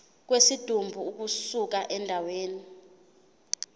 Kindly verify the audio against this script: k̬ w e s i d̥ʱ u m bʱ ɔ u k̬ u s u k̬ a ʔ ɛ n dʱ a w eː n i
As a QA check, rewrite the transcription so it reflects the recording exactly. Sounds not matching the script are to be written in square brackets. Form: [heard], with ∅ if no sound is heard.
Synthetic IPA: k̬ w e s i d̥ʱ u m bʱ [u] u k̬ u s u k̬ a ʔ ɛ n dʱ a w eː n i